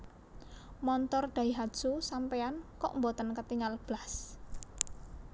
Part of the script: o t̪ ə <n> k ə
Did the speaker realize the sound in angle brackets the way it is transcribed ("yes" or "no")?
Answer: yes